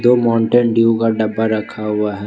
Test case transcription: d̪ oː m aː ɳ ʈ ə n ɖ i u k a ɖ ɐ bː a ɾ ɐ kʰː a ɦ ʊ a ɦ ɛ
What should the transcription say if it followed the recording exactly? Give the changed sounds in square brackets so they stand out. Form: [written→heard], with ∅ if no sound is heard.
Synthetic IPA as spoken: d̪ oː m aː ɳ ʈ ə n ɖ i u k a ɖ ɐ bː a ɾ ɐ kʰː a ɦ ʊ a ɦ ɛ